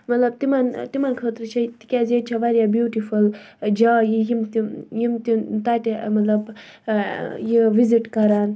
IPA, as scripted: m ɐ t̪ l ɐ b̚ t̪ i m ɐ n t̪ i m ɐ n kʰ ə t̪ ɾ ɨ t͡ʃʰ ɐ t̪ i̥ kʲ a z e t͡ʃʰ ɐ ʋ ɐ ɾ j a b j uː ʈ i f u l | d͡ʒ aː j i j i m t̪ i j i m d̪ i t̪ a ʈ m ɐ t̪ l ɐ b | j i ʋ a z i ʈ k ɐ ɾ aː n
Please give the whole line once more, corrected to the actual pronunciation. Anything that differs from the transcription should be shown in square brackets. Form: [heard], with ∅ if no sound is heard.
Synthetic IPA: m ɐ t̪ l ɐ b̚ t̪ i m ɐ n t̪ i m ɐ n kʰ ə t̪ ɾ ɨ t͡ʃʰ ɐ t̪ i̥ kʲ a z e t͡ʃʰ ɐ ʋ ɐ ɾ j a b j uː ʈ i f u l | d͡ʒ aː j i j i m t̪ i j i m [t̪] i t̪ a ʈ m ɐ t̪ l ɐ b | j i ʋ [i] z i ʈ k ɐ ɾ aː n